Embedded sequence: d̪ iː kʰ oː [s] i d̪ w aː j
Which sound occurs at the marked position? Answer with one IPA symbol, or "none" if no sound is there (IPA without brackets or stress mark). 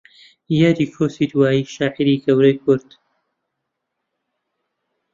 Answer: s